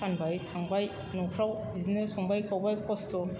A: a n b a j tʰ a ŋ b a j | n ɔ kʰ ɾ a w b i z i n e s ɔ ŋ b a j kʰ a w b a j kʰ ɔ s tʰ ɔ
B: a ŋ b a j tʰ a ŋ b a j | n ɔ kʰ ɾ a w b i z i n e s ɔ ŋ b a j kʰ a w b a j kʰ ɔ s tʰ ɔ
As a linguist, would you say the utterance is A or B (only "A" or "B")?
A